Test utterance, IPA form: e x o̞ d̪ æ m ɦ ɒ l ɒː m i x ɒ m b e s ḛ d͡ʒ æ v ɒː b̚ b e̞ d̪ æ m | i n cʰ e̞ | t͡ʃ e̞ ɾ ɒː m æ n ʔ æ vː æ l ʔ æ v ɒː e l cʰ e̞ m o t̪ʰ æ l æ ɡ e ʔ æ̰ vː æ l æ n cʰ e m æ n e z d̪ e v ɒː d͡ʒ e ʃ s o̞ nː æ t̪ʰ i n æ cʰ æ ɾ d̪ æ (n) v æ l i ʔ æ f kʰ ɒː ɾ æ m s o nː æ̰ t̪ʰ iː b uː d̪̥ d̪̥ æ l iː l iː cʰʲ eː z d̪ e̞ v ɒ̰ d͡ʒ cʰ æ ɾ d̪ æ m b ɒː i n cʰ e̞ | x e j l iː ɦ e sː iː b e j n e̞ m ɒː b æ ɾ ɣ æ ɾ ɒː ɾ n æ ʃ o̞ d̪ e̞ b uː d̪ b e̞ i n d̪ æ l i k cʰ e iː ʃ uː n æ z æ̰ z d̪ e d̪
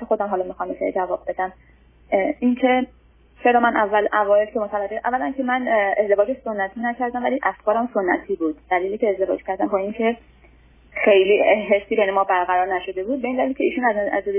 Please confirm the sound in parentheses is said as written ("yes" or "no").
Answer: no